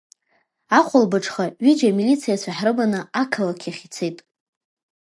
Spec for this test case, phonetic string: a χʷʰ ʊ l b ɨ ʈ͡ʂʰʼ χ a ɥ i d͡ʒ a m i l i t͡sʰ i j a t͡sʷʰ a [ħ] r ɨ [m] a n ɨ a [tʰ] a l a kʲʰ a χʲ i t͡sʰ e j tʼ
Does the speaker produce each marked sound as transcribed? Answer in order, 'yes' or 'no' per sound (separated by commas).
yes, no, no